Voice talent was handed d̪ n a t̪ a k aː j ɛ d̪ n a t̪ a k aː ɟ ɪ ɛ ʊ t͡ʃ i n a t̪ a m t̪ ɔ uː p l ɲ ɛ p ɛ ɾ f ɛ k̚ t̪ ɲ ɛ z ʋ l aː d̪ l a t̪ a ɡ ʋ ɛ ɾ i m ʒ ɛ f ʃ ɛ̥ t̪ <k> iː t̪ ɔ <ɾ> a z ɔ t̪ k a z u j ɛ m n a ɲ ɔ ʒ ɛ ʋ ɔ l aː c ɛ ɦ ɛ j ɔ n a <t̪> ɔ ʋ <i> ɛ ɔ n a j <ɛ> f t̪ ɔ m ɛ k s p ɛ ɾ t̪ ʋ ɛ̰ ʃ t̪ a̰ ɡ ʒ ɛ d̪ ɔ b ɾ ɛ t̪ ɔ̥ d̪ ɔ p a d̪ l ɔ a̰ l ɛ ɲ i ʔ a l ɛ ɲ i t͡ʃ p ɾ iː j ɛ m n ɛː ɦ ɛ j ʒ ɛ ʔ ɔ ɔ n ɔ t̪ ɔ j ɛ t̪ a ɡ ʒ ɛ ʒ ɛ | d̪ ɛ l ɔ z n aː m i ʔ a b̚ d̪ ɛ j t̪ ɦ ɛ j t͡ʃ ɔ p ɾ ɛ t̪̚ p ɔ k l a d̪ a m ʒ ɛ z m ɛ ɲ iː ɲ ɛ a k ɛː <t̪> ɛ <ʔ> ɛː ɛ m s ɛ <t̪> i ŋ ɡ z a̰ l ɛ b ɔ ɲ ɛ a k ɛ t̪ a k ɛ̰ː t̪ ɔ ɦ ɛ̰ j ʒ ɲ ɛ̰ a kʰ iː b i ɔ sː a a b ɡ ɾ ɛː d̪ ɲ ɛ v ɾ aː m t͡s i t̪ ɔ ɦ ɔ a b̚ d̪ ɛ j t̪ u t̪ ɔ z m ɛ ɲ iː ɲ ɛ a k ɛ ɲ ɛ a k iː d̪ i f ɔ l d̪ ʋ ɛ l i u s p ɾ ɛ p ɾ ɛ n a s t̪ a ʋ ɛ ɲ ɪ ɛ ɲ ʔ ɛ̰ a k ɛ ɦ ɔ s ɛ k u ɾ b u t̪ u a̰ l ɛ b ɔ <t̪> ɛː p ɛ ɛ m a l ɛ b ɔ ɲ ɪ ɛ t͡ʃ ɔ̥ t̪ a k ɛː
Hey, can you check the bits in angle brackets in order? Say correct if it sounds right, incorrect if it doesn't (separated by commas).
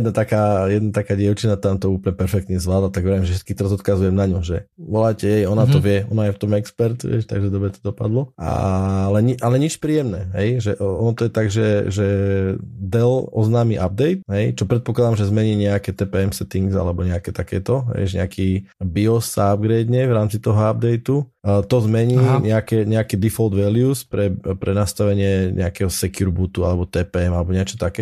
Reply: correct, correct, correct, incorrect, correct, correct, incorrect, correct, correct